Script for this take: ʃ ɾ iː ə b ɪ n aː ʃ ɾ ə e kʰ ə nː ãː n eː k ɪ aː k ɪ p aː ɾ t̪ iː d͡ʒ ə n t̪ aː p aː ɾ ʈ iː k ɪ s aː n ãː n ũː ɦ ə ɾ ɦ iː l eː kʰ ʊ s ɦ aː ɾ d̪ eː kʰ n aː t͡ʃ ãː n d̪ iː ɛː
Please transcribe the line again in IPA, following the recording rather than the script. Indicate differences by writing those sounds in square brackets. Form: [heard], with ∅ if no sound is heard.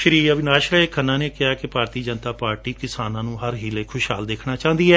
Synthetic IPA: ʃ ɾ iː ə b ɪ n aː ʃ ɾ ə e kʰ ə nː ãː n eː k ɪ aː k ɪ p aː ɾ t̪ iː d͡ʒ ə n t̪ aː p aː ɾ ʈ iː k ɪ s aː n ãː n ũː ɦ ə ɾ ɦ iː l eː kʰ ʊ [ʃ] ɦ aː [l] d̪ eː kʰ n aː t͡ʃ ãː n d̪ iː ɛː